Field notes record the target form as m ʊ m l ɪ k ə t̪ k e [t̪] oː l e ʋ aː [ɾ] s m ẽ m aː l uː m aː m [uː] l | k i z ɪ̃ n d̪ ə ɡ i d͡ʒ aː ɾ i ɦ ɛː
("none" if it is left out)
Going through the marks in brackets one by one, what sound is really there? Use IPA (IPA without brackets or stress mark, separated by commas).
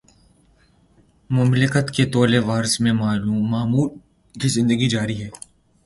t̪, ɾ, uː